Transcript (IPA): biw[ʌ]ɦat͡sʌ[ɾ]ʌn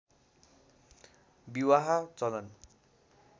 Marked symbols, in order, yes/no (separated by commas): no, no